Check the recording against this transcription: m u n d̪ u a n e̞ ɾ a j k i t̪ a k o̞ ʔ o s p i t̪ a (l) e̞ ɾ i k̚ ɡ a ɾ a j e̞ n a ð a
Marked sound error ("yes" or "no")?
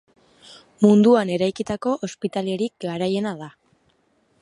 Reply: no